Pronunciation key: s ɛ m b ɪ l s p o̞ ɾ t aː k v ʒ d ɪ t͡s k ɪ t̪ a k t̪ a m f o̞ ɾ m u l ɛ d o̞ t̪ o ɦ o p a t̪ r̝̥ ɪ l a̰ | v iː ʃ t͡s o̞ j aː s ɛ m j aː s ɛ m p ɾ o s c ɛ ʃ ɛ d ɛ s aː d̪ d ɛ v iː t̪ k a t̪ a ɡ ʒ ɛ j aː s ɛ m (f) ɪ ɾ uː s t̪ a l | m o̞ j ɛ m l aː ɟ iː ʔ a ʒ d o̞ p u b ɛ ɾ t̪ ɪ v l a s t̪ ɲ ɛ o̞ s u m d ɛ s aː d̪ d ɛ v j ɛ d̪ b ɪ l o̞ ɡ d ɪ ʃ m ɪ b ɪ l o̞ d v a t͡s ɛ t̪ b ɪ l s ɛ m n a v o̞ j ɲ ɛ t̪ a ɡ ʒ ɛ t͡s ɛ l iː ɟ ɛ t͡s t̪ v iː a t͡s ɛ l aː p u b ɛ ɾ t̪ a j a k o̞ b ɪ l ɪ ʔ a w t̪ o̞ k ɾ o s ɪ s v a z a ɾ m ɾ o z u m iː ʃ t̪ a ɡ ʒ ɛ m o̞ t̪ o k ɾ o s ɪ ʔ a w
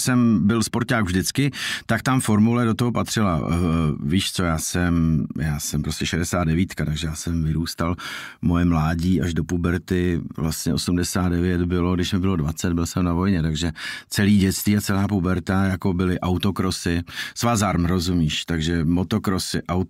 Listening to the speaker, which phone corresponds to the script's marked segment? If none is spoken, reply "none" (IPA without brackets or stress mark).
v